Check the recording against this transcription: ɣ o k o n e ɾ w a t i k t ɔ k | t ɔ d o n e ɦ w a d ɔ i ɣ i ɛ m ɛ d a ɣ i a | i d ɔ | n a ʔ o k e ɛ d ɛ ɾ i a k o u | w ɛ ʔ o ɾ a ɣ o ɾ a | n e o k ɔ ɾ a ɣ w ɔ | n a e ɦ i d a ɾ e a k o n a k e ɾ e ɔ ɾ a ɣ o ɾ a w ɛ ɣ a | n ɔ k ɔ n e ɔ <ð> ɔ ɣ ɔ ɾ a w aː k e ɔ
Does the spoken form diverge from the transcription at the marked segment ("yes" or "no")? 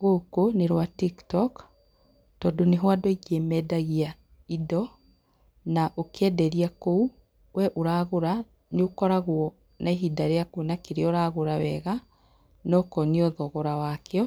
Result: no